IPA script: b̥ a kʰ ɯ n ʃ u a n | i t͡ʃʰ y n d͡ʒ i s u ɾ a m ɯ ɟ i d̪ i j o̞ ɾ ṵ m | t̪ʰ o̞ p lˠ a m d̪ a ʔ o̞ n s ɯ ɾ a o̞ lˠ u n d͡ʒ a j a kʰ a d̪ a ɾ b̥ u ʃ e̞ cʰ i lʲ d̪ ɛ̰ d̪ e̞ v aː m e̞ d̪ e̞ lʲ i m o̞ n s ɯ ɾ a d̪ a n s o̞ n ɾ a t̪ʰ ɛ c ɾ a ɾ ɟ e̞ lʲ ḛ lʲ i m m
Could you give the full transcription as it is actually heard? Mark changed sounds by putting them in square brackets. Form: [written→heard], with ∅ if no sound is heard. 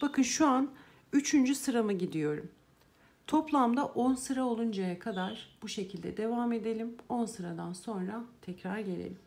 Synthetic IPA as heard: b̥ a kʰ ɯ n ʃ u a n | [i→y] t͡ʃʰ y n d͡ʒ [i→y] s [u→ɯ] ɾ a m ɯ ɟ i d̪ i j o̞ ɾ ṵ m | t̪ʰ o̞ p lˠ a m d̪ a ʔ o̞ n s ɯ ɾ a o̞ lˠ u n d͡ʒ a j a kʰ a d̪ a ɾ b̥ u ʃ e̞ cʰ i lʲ d̪ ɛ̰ d̪ e̞ v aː m e̞ d̪ e̞ lʲ i m o̞ n s ɯ ɾ a d̪ a n s o̞ n ɾ a t̪ʰ ɛ c ɾ a ɾ ɟ e̞ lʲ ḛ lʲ i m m